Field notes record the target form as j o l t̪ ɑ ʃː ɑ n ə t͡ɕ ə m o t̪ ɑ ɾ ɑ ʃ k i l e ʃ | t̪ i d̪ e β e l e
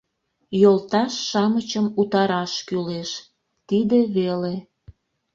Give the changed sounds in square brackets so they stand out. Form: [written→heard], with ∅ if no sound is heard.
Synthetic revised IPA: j o l t̪ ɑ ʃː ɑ [n→m] ə t͡ɕ ə m [o→u] t̪ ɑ ɾ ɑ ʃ k [i→y] l e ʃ | t̪ i d̪ e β e l e